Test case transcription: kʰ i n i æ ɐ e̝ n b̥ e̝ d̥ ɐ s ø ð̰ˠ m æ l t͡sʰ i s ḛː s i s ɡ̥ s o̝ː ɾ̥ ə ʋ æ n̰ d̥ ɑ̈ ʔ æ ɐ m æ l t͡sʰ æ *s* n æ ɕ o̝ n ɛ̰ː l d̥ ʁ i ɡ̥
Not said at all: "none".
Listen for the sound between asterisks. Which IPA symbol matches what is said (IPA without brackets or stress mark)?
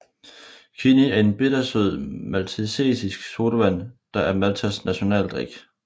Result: s